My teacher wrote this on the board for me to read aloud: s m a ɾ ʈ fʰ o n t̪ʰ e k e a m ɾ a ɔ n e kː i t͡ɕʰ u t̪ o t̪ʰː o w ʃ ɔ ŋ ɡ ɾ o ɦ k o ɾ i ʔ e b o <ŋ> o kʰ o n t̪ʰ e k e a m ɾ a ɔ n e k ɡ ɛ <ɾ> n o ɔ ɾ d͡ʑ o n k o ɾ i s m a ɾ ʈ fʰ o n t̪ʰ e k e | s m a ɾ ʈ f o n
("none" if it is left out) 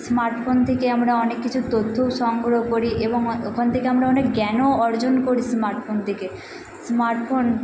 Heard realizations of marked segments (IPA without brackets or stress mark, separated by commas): ŋ, none